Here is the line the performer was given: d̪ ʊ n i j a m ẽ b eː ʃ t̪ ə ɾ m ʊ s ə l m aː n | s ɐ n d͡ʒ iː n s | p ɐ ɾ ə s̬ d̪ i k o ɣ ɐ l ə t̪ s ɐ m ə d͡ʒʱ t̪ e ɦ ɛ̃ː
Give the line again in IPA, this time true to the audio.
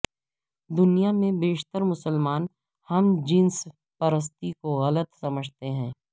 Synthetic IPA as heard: d̪ ʊ n i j a m ẽ b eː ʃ t̪ ə ɾ m ʊ s ə l m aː n | h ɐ m d͡ʒ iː n s | p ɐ ɾ ə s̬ t̪ i k o ɣ ɐ l ə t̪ s ɐ m ə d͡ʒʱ t̪ e ɦ ɛ̃ː